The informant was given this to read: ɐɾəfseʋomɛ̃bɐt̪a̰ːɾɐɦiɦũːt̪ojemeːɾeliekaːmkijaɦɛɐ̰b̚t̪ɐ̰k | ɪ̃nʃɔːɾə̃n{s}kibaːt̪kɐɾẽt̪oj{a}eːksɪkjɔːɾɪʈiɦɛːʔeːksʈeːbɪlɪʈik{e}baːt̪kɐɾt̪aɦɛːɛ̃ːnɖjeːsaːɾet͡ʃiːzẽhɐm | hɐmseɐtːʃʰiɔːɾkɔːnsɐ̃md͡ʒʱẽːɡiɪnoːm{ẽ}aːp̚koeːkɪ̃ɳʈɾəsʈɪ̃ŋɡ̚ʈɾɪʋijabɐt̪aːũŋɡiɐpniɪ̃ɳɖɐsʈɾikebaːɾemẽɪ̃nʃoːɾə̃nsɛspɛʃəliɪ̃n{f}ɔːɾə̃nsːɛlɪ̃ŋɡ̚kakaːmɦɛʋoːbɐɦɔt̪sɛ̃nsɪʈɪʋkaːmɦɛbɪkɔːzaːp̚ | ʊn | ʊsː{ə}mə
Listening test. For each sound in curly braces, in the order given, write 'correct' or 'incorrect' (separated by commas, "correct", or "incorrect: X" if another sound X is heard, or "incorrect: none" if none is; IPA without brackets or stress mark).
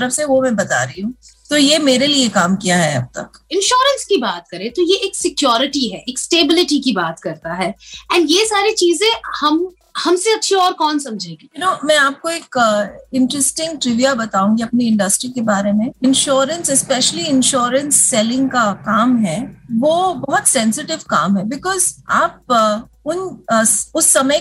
correct, incorrect: e, incorrect: i, incorrect: ɛ̃, incorrect: ʃ, incorrect: ɐ